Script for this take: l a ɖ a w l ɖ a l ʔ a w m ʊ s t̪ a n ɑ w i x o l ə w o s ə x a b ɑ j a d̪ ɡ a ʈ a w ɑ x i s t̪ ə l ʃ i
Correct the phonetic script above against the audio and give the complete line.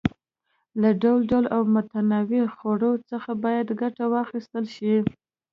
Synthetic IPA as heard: l a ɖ a w l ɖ a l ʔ a w m ʊ t̪ a n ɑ w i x o ɽ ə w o t͡s ə x a b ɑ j a d̪ ɡ a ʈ a w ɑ x i s t̪ ə l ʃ i